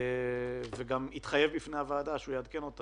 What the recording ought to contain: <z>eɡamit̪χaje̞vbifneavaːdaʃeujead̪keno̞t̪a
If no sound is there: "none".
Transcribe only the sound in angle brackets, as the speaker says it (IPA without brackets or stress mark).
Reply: v